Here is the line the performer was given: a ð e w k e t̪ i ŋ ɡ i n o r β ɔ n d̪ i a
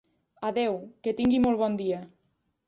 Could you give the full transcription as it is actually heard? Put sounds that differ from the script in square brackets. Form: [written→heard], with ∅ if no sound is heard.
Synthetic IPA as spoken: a ð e w k e t̪ i ŋ ɡ i [n→m] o [r→l] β ɔ n d̪ i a